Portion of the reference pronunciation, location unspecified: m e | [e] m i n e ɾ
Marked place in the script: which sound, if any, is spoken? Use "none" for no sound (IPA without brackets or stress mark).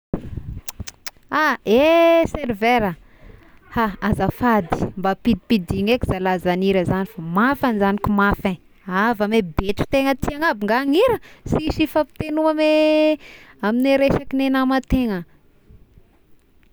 a